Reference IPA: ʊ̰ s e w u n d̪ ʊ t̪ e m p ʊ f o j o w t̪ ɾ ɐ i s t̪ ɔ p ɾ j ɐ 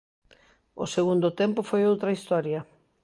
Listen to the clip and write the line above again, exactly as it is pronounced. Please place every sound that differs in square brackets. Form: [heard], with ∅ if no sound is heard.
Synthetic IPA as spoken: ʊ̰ s e [ɣ] u n d̪ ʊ t̪ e m p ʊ f o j o w t̪ ɾ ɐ i s t̪ ɔ [∅] ɾ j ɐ